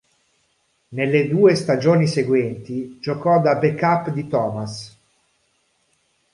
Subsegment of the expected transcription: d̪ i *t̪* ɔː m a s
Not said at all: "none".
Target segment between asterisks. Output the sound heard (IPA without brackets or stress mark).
t̪